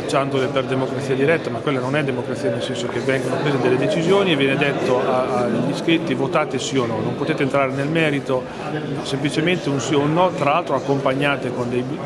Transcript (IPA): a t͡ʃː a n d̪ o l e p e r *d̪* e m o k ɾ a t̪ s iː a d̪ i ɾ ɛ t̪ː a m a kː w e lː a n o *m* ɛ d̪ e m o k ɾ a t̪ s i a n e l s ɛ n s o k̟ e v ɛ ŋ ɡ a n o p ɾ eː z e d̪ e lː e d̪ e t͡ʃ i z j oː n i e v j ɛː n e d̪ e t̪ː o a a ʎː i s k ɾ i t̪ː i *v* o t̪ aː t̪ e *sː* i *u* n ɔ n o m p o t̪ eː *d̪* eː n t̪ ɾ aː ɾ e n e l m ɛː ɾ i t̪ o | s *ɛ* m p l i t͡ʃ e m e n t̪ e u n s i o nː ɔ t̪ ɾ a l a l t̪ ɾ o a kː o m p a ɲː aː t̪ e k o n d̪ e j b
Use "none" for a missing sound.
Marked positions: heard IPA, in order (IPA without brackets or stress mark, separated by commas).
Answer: d̪, n, v, s, o, t̪, e